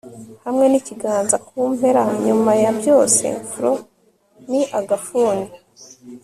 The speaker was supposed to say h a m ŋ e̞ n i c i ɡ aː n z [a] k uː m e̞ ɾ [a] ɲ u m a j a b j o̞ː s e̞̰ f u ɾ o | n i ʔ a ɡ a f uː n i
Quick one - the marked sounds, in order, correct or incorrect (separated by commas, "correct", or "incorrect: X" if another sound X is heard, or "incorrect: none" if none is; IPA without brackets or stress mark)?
correct, correct